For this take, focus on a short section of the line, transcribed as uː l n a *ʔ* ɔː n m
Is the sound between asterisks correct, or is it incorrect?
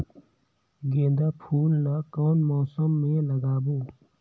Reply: incorrect